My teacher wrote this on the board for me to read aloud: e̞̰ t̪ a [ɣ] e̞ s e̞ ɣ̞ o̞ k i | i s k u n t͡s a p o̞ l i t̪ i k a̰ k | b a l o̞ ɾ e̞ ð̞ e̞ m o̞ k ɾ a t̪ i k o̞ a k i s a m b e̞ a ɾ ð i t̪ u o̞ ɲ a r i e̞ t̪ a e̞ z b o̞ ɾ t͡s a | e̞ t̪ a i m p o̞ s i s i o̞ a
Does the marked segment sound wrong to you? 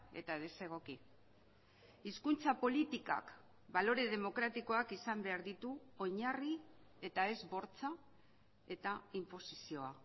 yes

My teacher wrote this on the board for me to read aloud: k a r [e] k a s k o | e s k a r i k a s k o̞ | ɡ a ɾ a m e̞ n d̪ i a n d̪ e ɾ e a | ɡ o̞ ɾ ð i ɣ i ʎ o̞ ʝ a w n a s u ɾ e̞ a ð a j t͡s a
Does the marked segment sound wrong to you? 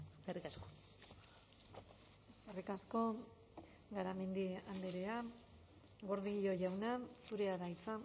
yes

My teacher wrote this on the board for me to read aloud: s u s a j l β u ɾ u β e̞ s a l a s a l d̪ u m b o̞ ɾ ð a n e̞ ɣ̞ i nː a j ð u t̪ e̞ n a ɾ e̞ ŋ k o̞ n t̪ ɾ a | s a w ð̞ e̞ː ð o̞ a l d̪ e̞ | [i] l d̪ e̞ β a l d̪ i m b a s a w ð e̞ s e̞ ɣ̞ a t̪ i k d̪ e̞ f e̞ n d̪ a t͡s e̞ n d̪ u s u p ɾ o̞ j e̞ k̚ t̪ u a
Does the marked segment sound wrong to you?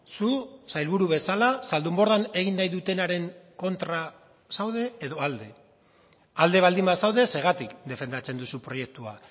yes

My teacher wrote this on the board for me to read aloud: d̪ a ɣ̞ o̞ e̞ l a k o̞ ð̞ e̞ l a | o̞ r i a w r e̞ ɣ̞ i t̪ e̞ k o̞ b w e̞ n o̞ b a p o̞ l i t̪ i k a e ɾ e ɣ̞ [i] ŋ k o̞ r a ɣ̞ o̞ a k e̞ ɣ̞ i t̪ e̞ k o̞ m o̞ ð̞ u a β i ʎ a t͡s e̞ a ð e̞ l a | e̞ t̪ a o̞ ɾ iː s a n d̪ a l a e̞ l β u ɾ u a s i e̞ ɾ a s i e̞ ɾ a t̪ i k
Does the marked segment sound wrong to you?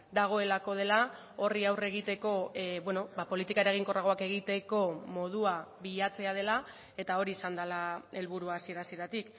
no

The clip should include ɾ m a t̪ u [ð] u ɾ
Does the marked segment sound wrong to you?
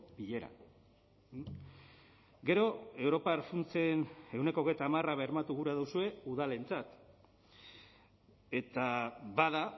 yes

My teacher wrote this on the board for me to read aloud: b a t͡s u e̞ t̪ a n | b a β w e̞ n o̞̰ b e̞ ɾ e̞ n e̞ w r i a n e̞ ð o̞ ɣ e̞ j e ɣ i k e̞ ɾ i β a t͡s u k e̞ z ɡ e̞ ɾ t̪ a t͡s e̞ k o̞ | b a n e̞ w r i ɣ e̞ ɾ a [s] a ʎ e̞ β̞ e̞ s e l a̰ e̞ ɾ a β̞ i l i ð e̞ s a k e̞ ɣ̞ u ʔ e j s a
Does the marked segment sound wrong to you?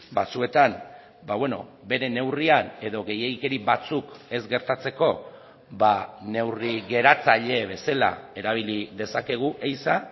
yes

